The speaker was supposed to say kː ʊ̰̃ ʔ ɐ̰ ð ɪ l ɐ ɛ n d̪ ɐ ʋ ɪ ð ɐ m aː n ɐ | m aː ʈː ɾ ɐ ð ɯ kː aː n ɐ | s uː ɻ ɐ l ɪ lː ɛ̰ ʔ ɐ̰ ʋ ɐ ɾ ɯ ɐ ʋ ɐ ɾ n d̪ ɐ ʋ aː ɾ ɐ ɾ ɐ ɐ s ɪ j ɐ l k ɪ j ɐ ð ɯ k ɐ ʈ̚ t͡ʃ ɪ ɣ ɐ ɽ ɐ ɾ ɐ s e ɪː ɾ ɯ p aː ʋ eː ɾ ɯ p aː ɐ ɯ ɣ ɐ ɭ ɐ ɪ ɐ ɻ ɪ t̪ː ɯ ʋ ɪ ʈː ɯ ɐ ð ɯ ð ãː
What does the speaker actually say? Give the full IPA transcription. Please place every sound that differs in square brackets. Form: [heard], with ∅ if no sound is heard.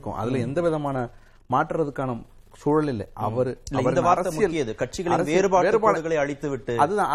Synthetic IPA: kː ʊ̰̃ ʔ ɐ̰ ð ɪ l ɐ ɛ n d̪ ɐ ʋ ɪ ð ɐ m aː n ɐ | m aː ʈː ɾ ɐ ð ɯ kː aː n ɐ | s uː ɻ ɐ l ɪ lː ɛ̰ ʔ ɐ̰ ʋ ɐ ɾ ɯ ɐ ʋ ɐ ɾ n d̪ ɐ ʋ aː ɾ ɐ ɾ ɐ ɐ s ɪ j ɐ l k ɪ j ɐ ð ɯ k ɐ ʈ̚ t͡ʃ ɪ ɣ ɐ [ɭ] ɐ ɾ ɐ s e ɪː ɾ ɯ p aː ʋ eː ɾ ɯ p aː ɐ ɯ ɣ ɐ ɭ ɐ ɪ ɐ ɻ ɪ t̪ː ɯ ʋ ɪ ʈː ɯ ɐ ð ɯ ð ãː